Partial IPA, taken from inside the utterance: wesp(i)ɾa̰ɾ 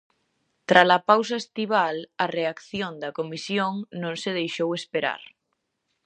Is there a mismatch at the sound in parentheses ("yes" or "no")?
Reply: yes